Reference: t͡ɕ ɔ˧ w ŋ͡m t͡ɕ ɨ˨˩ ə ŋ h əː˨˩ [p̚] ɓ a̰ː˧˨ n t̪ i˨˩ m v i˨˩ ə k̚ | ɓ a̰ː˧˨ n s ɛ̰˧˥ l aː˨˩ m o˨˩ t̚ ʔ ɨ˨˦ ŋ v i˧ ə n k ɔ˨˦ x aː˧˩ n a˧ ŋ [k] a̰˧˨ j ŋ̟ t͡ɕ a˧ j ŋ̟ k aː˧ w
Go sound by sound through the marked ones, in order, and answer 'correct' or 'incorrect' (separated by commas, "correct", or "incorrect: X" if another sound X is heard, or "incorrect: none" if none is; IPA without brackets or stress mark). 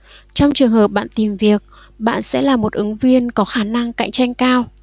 correct, correct